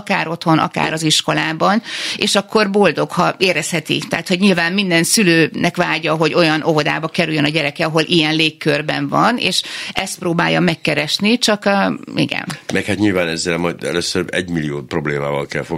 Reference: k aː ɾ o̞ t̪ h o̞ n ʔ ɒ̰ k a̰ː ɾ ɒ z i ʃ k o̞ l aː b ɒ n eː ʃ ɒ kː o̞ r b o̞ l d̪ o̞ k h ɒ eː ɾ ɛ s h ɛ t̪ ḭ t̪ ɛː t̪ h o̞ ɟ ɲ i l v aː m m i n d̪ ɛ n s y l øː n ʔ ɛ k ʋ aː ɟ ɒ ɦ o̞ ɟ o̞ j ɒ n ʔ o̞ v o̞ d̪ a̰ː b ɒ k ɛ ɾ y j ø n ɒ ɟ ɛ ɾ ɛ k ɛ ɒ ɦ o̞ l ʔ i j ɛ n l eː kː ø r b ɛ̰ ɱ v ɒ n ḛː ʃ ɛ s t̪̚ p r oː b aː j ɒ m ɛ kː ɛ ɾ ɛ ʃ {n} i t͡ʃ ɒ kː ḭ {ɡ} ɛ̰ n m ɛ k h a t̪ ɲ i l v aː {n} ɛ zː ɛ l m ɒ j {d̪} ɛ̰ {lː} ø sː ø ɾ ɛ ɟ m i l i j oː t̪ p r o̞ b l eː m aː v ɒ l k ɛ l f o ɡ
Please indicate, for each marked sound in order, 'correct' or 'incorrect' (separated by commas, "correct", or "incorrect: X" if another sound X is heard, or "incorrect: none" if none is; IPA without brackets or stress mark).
correct, correct, correct, correct, incorrect: l